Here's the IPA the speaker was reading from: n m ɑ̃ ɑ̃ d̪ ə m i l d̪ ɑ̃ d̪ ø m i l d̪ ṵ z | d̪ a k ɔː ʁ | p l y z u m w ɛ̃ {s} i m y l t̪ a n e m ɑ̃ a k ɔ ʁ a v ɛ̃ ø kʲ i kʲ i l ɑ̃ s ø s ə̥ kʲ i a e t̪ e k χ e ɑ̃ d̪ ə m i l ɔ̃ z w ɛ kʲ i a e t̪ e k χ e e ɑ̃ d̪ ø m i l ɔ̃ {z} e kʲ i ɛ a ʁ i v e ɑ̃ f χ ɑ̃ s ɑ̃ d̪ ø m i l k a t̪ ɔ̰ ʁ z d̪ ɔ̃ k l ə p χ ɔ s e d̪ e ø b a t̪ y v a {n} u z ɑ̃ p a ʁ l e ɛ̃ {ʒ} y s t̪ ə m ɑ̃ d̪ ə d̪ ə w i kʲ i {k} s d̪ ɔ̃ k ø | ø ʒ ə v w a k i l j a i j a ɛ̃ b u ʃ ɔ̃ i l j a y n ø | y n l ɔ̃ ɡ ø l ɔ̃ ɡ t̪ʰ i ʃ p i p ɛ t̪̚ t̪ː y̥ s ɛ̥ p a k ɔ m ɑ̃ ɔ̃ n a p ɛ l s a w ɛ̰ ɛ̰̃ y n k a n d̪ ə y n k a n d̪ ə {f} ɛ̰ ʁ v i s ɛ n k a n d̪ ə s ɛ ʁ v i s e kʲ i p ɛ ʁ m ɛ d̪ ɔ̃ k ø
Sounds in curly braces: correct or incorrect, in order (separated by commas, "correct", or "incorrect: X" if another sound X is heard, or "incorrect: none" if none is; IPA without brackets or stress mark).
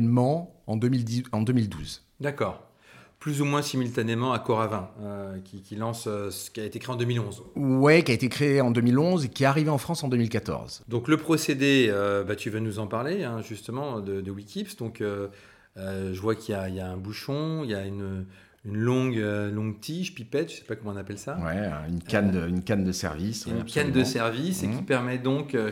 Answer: correct, correct, correct, correct, incorrect: p, incorrect: s